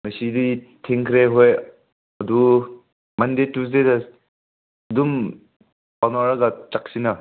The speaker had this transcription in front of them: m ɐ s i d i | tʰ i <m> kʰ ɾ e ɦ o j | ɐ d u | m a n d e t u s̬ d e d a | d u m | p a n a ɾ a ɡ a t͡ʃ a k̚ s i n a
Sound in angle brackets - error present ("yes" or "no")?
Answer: yes